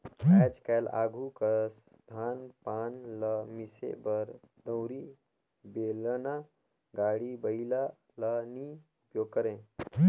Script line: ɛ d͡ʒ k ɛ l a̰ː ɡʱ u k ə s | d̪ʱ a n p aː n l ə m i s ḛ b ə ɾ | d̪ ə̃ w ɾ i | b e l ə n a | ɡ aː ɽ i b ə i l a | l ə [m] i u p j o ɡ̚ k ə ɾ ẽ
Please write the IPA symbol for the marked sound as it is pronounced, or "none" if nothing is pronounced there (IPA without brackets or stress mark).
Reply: n